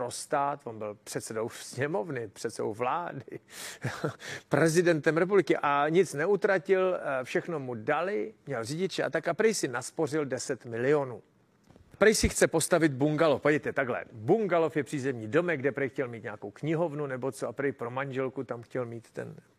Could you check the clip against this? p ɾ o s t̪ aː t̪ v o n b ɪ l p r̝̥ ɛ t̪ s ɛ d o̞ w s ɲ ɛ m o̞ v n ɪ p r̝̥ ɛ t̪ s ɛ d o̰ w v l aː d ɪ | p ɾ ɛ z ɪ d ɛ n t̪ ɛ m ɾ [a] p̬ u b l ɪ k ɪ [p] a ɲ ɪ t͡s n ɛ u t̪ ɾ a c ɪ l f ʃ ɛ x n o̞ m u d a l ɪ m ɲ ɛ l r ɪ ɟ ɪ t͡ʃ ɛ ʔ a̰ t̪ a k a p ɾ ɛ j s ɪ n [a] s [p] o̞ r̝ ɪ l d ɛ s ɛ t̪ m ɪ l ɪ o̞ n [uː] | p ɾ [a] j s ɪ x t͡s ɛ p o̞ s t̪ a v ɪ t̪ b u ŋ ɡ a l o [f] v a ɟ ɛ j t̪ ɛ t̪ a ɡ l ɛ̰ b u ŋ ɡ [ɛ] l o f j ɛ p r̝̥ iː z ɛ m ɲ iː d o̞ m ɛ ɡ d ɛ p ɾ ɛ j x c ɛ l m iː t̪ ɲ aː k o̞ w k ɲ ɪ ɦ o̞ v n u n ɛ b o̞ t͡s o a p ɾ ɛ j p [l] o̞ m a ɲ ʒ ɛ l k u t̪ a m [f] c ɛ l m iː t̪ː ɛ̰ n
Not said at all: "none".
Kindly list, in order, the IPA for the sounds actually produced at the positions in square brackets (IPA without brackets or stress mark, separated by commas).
ɛ, ʔ, a, p, uː, ɛ, f, a, ɾ, x